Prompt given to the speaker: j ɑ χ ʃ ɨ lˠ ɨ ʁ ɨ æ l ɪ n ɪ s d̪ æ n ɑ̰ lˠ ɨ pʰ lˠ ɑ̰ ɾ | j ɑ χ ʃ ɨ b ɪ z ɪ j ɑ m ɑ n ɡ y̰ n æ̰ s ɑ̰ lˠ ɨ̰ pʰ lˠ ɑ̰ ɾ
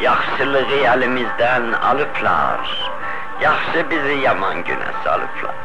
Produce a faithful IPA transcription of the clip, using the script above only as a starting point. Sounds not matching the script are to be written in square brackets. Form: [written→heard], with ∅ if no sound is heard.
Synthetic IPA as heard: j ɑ χ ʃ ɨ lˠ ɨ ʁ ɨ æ l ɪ [n→m] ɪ [s→z] d̪ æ n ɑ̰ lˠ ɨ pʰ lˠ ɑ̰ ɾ | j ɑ χ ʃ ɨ b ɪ z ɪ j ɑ m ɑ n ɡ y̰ n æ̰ s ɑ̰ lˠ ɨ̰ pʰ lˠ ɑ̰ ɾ